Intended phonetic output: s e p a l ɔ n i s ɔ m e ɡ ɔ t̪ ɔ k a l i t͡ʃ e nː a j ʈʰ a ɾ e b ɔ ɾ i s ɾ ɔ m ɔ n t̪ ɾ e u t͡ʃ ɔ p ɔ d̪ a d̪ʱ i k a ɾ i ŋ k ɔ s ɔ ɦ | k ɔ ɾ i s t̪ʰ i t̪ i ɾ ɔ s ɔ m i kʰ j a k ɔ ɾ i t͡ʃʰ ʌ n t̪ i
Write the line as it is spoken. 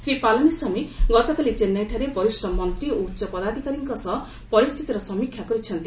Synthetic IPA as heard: s e p a l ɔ n i s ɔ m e ɡ ɔ t̪ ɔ k a l i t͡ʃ e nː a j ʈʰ a ɾ e b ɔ ɾ i s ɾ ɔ m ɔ n t̪ ɾ i u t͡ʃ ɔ p ɔ d̪ a d̪ʱ i k a ɾ i ŋ k ɔ s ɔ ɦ | p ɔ ɾ i s t̪ʰ i t̪ i ɾ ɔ s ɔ m i kʰ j a k ɔ ɾ i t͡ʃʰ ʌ n t̪ i

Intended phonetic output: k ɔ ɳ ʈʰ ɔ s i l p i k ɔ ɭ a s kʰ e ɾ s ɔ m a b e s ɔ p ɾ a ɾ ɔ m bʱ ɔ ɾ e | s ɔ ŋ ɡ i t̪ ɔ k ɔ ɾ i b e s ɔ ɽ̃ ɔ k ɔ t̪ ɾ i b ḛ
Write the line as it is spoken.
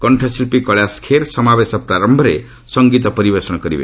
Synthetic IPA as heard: k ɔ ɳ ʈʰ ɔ s i l p i k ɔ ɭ a s kʰ e ɾ s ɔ m a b e s ɔ p ɾ a ɾ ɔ m bʱ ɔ ɾ e | s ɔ ŋ ɡ i t̪ ɔ p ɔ ɾ i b e s ɔ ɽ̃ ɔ k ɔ ɾ i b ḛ

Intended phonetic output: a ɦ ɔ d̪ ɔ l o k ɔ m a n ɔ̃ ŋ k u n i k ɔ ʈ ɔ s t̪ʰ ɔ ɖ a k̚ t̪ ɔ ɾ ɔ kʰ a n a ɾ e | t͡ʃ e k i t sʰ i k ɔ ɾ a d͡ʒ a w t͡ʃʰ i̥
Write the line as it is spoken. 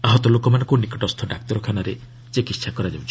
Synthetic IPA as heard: a ɦ ɔ t̪ ɔ l o k ɔ m a n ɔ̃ ŋ k u n i k ɔ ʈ ɔ s t̪ʰ ɔ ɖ a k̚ t̪ ɔ ɾ ɔ kʰ a n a ɾ e | t͡ʃ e k i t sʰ a k ɔ ɾ a d͡ʒ a w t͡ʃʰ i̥

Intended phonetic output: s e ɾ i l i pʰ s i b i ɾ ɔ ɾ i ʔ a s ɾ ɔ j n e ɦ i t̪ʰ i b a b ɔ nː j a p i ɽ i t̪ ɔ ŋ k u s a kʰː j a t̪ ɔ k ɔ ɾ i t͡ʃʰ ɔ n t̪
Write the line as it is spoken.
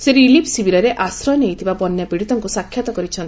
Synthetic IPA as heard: s e ɾ i l i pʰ s i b i ɾ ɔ ɾ e ʔ a s ɾ ɔ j n e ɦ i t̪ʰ i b a b ɔ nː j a p i ɽ i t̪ ɔ ŋ k u s a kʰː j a t̪ ɔ k ɔ ɾ i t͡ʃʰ ɔ n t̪

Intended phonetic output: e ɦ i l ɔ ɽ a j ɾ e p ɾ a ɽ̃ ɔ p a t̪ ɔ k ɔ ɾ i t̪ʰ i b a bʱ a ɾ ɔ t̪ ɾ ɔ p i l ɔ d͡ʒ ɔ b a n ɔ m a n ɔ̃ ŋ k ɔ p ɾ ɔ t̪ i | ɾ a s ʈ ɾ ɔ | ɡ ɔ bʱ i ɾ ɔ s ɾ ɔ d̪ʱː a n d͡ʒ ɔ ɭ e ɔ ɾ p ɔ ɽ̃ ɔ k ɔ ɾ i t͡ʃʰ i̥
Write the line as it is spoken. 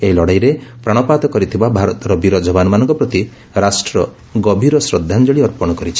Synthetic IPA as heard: e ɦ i l ɔ ɽ a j ɾ e p ɾ a ɽ̃ ɔ p a t̪ ɔ k ɔ ɾ i t̪ʰ i b a bʱ a ɾ ɔ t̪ ɾ ɔ b i ɾ ɔ d͡ʒ ɔ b a n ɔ m a n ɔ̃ ŋ k ɔ p ɾ ɔ t̪ i | ɾ a s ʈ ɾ ɔ | ɡ ɔ bʱ i ɾ ɔ s ɾ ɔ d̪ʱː a n d͡ʒ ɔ ɭ i ɔ ɾ p ɔ ɽ̃ ɔ k ɔ ɾ i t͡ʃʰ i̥

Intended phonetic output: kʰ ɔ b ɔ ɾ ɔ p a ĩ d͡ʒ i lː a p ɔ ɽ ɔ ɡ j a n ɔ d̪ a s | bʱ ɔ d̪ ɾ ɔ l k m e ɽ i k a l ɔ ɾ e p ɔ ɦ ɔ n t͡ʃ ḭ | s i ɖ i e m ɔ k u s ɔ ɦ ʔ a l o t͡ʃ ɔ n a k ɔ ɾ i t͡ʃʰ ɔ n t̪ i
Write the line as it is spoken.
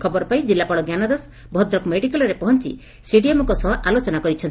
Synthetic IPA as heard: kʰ ɔ b ɔ ɾ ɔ p a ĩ d͡ʒ i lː a p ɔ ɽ ɔ ɡ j a n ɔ d̪ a s | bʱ ɔ d̪ ɾ ɔ k m e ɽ i k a l ɔ ɾ e p ɔ ɦ ɔ n t͡ʃ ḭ | s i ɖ i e m ɔ k ɔ s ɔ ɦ ʔ a l o t͡ʃ ɔ n a k ɔ ɾ i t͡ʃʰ ɔ n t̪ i

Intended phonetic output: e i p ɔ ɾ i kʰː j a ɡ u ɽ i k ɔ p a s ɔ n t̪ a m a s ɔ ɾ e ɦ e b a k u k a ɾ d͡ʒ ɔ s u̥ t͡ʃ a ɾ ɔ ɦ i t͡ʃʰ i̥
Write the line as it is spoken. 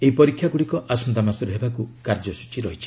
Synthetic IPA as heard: e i p ɔ ɾ i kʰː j a ɡ u ɽ i k ɔ ʔ a s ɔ n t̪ a m a s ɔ ɾ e ɦ e b a k u k a ɾ d͡ʒ ɔ s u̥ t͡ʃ i ɾ ɔ ɦ i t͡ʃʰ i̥

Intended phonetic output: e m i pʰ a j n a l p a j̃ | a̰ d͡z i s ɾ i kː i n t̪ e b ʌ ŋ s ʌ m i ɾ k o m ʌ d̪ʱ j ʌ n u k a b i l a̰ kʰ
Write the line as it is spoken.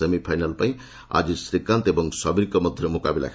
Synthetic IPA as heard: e m i pʰ a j n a l p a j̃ | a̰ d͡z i s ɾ i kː a n t̪ e b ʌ ŋ s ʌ b i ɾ k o m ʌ d̪ʱ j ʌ m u k a b i l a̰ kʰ

